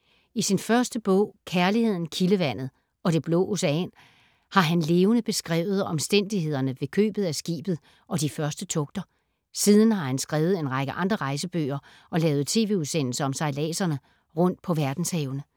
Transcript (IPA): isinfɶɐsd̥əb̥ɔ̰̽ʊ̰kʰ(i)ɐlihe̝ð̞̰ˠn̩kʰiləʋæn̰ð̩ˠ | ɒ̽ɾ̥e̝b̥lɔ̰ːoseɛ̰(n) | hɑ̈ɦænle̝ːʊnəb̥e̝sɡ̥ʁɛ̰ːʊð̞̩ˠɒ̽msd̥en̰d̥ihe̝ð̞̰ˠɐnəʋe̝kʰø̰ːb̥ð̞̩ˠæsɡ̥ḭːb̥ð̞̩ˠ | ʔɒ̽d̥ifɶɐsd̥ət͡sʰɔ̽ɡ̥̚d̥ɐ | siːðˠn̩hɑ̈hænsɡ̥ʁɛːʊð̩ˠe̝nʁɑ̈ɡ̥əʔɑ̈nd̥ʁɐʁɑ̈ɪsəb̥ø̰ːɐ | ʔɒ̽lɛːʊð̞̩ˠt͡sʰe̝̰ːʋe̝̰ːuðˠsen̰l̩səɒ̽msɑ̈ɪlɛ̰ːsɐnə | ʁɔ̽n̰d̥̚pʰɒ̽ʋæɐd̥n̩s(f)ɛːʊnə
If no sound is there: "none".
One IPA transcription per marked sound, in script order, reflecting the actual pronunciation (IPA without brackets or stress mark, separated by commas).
æ, n, h